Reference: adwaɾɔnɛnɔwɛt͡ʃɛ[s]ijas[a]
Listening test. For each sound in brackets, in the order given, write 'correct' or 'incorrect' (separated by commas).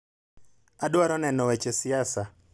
correct, correct